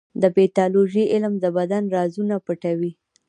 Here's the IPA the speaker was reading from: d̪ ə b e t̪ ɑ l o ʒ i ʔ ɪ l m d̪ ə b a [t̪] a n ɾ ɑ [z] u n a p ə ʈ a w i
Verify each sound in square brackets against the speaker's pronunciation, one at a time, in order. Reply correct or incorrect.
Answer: incorrect: d̪, correct

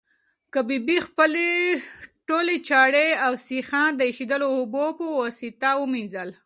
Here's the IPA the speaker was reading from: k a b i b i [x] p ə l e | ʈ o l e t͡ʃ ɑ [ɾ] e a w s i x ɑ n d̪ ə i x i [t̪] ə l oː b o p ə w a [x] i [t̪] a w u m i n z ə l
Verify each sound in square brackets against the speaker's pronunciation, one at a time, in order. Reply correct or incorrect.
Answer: correct, incorrect: ɽ, incorrect: d̪, incorrect: s, correct

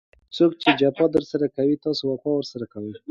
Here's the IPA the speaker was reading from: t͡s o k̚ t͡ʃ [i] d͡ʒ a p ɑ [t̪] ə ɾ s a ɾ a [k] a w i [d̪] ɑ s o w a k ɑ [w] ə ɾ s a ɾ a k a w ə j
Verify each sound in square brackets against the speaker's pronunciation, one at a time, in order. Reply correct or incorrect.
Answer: incorrect: e, incorrect: d̪, correct, incorrect: t̪, correct

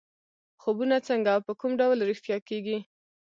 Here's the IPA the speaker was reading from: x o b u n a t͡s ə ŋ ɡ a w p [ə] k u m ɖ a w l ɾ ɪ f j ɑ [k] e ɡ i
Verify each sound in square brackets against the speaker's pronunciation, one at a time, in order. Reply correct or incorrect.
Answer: correct, correct

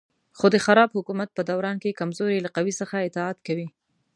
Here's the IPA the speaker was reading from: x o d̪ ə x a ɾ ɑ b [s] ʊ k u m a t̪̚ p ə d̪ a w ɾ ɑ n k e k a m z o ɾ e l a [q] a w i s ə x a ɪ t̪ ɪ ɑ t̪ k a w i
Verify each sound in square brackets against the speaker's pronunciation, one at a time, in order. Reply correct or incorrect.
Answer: incorrect: h, correct

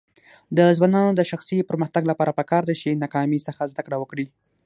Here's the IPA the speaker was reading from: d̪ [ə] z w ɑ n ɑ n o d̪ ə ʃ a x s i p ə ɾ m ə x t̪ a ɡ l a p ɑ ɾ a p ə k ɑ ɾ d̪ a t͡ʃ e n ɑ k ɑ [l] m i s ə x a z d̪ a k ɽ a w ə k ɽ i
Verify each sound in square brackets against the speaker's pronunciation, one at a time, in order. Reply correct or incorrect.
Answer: correct, incorrect: none

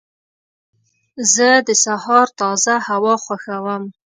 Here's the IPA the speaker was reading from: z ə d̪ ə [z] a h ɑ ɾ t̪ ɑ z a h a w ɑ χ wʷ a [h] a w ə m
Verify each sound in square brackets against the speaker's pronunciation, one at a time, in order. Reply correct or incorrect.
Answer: incorrect: s, incorrect: x

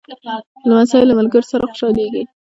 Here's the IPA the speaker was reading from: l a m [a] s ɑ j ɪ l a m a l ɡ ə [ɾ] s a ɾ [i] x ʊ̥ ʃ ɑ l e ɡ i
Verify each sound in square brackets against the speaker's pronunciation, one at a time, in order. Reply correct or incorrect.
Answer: correct, correct, incorrect: a

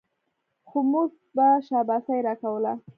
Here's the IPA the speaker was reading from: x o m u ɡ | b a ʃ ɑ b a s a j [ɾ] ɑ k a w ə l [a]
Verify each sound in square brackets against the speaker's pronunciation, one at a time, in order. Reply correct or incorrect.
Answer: correct, correct

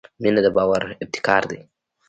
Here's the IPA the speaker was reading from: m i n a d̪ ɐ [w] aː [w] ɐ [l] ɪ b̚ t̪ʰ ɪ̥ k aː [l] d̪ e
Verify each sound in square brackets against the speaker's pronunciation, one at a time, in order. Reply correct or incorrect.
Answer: incorrect: b, correct, incorrect: ɾ, incorrect: ɾ

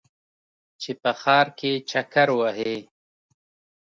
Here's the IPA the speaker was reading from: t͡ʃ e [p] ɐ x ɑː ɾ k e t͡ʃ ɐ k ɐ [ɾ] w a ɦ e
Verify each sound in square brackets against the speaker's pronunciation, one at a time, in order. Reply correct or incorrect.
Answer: correct, correct

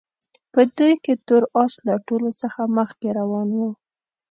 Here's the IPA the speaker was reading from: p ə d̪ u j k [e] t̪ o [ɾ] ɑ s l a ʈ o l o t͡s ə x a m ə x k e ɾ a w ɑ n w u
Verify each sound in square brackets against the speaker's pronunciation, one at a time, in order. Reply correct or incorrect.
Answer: correct, correct

